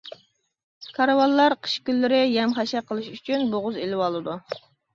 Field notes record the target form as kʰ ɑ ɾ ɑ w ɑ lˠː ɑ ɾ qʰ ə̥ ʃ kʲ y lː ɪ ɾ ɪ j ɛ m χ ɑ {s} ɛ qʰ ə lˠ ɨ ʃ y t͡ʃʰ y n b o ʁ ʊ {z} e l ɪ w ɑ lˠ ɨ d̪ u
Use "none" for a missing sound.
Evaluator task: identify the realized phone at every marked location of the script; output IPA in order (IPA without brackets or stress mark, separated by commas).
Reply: ʃ, z